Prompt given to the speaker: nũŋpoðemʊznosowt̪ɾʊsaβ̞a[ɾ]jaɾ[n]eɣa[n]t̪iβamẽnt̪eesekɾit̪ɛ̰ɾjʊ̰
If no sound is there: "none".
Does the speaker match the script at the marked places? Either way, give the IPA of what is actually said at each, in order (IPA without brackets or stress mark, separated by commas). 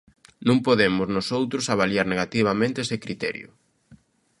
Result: l, n, none